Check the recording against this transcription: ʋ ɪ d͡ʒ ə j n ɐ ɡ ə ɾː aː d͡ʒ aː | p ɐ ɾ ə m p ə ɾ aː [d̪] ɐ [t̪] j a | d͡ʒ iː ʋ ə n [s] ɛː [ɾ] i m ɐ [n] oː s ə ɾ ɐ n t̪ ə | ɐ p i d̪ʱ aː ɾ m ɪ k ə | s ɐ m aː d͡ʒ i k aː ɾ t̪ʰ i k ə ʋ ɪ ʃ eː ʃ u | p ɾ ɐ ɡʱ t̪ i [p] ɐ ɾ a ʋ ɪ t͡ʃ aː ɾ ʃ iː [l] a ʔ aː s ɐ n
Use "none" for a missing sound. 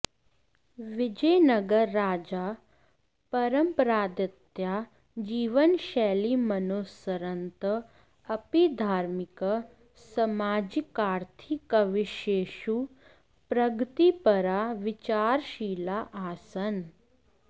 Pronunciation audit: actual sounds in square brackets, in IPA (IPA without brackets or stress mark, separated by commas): d̪, t̪, ʃ, l, n, p, l